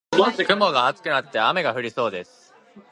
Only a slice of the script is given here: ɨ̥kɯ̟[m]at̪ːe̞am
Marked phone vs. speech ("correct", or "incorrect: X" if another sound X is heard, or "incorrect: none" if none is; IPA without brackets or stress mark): incorrect: n